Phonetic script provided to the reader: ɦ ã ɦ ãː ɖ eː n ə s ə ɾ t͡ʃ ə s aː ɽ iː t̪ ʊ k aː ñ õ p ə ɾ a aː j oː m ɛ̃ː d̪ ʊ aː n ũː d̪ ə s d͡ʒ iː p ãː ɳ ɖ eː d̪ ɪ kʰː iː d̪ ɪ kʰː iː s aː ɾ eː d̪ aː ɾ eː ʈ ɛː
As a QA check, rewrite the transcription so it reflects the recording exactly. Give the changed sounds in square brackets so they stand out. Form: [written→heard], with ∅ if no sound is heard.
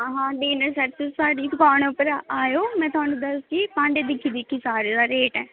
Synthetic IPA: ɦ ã ɦ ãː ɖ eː n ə s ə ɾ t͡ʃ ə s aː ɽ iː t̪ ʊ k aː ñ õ p ə ɾ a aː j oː m ɛ̃ː [d̪→t̪] ʊ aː n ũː d̪ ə s d͡ʒ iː p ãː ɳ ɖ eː d̪ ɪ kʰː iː d̪ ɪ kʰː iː s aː ɾ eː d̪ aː ɾ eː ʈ ɛː